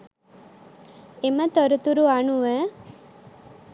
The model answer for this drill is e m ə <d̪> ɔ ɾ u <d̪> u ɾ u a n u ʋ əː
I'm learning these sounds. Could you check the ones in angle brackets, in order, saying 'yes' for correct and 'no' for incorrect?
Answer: no, no

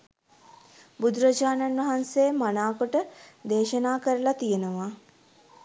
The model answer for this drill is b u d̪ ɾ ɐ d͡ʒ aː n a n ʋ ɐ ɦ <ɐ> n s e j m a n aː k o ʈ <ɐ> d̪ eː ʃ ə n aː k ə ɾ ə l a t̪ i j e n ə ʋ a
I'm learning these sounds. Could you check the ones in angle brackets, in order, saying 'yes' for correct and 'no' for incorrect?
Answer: no, no

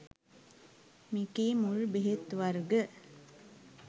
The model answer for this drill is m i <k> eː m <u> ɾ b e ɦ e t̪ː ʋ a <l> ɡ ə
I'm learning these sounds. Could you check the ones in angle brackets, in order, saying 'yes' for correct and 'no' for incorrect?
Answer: yes, yes, no

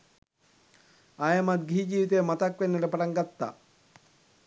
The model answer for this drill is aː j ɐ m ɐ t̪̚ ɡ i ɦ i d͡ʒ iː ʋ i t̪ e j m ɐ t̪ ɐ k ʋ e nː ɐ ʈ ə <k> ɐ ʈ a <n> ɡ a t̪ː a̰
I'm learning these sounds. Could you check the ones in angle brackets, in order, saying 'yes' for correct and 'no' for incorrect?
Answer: no, no

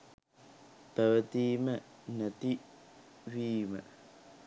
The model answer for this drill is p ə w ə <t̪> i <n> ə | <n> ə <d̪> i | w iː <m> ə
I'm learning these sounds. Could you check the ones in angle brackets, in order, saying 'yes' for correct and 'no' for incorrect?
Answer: yes, no, yes, no, yes

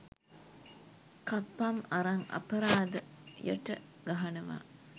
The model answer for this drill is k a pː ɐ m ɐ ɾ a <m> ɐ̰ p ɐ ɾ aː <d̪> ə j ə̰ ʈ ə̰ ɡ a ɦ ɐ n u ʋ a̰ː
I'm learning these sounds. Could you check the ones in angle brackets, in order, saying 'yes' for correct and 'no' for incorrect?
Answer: no, yes

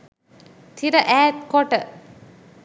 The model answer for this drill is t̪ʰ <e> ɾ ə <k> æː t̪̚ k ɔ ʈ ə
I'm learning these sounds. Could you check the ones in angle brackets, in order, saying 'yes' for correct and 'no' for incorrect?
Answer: no, no

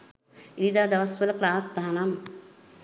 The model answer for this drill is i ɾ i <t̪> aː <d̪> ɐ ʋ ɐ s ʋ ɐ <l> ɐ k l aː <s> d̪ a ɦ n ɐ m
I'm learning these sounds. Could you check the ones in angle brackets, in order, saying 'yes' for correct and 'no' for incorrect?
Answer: no, yes, yes, yes

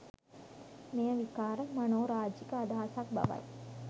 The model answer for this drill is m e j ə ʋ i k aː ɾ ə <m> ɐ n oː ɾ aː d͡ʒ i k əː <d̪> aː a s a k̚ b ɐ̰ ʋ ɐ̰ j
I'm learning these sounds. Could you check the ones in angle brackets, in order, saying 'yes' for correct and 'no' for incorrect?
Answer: yes, yes

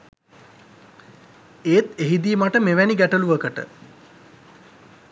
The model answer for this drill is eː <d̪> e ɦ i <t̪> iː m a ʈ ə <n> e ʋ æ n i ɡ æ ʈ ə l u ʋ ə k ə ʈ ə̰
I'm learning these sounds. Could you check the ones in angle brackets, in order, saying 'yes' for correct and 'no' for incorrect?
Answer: no, no, no

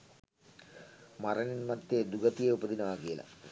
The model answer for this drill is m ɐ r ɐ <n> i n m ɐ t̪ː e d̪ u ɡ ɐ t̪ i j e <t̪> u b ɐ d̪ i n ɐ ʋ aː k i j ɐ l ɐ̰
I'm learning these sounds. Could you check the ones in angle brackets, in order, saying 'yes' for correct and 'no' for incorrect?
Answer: yes, no

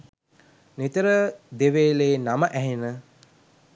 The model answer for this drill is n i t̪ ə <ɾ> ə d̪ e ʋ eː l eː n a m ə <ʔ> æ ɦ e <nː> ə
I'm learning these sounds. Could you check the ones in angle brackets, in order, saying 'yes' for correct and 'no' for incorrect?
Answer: yes, yes, no

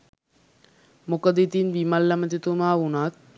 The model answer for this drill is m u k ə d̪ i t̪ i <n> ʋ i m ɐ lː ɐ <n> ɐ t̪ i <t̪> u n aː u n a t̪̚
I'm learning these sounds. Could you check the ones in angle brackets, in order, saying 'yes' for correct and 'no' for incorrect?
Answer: yes, no, yes

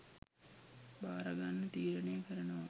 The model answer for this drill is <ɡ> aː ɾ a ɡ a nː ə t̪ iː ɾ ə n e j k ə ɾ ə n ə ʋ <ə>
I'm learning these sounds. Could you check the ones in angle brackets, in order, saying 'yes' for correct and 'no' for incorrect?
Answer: no, no

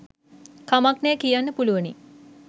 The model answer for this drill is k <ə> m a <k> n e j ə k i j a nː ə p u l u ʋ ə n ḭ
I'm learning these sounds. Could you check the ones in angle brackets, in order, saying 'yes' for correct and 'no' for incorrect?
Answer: no, yes

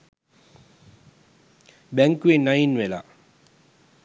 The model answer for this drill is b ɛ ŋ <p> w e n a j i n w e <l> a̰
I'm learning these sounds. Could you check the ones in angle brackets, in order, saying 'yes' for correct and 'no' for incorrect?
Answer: no, yes

